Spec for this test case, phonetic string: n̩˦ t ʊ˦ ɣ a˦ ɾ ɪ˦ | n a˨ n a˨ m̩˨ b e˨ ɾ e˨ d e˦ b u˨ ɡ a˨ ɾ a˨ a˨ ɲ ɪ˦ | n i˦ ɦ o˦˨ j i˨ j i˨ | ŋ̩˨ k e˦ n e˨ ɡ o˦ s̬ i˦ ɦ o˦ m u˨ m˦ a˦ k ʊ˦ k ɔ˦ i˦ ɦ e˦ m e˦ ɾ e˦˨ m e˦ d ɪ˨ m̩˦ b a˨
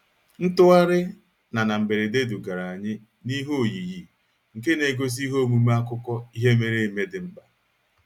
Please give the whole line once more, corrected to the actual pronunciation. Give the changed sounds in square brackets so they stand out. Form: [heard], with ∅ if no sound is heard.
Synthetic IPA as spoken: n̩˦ t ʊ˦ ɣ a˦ ɾ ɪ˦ | n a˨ n a˨ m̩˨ b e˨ ɾ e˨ d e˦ [d] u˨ ɡ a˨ ɾ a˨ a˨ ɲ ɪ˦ | n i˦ ɦ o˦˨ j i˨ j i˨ | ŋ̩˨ k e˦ n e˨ ɡ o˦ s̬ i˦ ɦ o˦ m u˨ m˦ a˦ k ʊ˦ k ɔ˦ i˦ ɦ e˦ m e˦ ɾ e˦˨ m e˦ d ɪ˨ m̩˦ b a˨